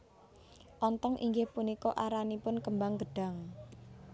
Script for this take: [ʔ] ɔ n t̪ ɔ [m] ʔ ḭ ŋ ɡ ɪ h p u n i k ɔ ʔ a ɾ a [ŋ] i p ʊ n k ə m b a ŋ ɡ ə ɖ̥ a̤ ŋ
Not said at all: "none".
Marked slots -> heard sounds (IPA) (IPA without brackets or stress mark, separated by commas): ʔ, ŋ, n